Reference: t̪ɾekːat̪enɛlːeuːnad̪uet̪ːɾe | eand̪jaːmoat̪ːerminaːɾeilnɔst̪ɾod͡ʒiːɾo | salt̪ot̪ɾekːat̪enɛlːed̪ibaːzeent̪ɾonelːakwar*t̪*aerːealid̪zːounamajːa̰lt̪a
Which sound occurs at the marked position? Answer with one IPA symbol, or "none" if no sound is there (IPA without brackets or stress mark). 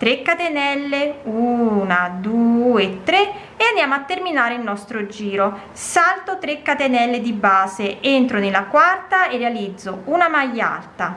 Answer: t̪